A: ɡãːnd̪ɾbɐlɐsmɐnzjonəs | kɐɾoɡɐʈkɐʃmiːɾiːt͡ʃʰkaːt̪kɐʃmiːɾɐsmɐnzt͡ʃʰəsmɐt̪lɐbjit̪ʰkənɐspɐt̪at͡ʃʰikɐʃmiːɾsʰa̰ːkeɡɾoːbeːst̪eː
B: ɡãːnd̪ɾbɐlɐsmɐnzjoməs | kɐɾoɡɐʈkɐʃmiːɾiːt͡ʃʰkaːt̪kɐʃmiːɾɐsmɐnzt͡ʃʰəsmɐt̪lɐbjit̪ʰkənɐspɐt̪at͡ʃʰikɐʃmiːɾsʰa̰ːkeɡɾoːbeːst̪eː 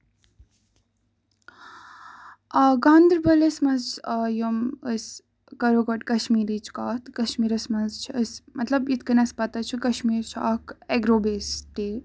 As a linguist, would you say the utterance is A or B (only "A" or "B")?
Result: B